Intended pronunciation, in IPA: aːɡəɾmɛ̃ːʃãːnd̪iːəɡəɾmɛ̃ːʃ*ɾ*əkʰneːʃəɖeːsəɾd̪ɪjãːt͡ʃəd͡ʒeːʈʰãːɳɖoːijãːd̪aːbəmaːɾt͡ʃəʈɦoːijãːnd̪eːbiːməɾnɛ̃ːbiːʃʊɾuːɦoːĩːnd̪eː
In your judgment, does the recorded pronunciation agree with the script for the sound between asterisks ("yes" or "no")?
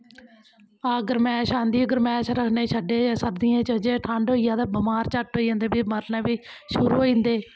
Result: yes